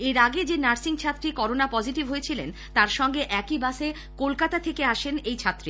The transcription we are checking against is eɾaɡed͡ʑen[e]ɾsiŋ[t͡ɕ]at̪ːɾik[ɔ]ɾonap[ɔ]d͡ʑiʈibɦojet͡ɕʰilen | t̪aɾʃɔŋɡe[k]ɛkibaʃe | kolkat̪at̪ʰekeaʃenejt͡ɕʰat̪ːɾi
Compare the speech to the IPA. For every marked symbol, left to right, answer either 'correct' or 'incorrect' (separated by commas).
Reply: incorrect, incorrect, correct, correct, incorrect